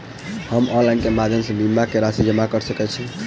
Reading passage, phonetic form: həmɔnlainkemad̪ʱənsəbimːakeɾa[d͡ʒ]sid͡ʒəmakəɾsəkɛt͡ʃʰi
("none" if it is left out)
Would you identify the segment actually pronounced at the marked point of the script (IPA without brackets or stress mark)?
none